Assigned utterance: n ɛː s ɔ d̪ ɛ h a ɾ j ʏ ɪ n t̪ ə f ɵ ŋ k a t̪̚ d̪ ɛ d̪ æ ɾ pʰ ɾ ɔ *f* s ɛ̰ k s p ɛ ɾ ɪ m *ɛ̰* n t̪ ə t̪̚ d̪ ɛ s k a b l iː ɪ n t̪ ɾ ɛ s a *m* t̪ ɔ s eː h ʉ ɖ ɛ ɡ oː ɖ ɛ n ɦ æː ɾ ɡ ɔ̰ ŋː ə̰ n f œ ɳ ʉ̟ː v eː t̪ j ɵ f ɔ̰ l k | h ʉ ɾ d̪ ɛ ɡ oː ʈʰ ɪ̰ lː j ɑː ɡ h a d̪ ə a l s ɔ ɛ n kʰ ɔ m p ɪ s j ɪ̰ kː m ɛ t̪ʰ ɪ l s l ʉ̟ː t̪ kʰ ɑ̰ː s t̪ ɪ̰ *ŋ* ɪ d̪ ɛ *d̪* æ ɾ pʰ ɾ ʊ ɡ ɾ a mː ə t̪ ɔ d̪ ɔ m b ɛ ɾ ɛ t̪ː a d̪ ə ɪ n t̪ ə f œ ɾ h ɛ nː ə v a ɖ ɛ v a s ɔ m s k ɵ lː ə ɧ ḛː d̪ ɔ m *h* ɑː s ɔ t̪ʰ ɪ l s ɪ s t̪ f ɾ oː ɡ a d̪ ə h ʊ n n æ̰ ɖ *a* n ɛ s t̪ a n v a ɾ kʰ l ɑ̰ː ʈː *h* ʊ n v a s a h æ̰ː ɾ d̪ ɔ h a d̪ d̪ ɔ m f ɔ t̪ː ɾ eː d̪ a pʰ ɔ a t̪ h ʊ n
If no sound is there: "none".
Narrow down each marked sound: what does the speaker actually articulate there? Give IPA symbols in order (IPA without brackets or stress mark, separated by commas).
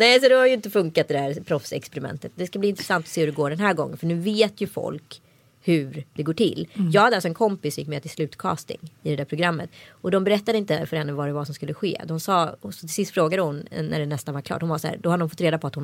f, ɛ̰, n, ŋ, d̪, s, ɛ, h